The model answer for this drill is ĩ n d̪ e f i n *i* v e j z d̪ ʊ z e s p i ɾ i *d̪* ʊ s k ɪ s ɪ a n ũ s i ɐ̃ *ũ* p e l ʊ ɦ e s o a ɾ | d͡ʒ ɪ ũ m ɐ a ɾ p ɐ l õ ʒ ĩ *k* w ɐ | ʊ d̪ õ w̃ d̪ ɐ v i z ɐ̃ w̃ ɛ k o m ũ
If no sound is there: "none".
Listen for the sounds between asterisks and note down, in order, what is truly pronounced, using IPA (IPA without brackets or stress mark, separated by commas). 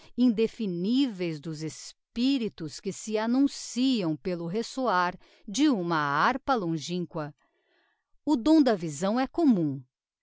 i, t̪, w̃, k